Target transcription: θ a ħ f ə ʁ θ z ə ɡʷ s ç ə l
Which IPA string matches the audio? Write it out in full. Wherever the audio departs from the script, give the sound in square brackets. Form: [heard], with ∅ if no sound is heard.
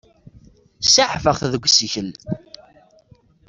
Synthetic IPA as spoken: [s] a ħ f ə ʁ θ [ð] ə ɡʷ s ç ə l